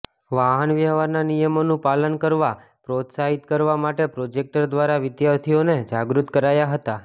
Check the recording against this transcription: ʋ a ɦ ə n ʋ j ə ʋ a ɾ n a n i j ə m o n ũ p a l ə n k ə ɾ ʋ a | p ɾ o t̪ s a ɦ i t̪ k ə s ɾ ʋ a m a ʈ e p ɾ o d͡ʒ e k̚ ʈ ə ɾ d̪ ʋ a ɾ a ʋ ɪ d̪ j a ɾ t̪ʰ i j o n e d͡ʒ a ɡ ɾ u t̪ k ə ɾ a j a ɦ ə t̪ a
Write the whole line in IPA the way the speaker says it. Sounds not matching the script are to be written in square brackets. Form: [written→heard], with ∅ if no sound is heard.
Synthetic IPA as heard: ʋ a ɦ ə n ʋ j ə ʋ a ɾ n a n i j ə m o n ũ p a l ə n k ə ɾ ʋ a | p ɾ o t̪ s a ɦ i t̪ k ə [s→∅] ɾ ʋ a m a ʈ e p ɾ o d͡ʒ e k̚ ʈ ə ɾ d̪ ʋ a ɾ a ʋ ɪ d̪ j a ɾ t̪ʰ i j o n e d͡ʒ a ɡ ɾ u t̪ k ə ɾ a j a ɦ ə t̪ a